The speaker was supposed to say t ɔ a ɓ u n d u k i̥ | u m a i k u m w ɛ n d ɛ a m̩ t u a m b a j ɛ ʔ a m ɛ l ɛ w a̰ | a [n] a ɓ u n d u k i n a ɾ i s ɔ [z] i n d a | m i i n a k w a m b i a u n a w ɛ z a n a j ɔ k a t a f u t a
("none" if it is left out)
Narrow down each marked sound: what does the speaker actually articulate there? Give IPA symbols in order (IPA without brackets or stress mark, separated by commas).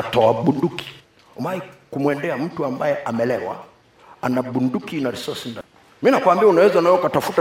n, s